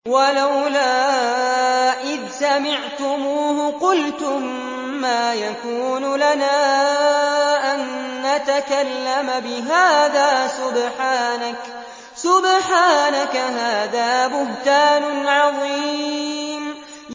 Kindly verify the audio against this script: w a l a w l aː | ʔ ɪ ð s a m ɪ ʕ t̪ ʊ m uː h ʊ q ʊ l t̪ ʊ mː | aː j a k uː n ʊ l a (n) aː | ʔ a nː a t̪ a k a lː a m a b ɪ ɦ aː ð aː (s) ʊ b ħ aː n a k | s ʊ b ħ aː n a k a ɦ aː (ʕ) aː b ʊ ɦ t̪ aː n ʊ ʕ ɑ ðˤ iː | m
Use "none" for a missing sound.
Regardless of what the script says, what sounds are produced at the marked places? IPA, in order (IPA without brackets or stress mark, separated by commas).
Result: n, s, ð